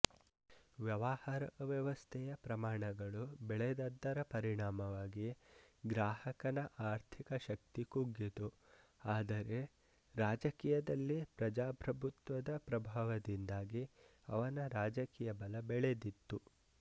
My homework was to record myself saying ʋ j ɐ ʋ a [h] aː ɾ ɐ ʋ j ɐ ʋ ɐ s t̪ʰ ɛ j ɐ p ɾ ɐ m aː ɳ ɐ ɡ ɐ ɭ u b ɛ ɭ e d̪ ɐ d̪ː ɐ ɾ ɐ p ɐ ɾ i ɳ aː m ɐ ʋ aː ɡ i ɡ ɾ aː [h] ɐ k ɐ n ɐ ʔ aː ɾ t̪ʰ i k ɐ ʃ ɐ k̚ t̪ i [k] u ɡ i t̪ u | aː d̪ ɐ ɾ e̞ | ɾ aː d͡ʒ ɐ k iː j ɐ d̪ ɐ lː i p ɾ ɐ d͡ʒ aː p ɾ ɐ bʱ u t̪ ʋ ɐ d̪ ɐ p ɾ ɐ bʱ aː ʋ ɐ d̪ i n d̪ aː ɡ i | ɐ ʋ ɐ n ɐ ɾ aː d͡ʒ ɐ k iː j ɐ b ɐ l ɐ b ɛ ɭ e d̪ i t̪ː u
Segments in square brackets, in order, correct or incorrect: correct, correct, correct

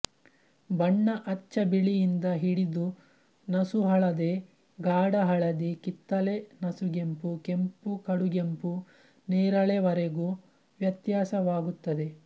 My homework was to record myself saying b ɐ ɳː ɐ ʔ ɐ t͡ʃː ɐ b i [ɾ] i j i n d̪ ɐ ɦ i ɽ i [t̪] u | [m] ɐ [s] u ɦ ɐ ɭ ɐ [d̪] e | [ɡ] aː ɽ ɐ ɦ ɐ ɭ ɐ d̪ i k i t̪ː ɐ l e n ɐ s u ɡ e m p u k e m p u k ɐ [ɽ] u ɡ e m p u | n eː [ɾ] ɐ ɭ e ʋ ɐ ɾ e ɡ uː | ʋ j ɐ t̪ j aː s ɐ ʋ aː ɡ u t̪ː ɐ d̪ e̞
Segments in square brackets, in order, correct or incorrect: incorrect: ɭ, incorrect: d̪, incorrect: n, correct, correct, correct, correct, correct

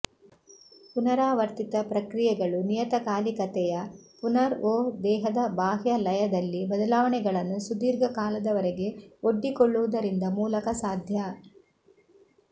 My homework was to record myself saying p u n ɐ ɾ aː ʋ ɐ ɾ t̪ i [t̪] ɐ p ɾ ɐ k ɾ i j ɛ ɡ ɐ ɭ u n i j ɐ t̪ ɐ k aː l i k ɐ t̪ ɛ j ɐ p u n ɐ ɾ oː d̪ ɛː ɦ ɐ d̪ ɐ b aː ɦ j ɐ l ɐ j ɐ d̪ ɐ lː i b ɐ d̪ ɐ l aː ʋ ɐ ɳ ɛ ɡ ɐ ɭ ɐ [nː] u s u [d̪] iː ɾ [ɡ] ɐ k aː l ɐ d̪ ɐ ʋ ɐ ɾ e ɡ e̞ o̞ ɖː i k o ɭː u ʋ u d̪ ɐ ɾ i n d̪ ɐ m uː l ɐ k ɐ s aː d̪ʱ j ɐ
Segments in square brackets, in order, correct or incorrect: correct, correct, correct, correct

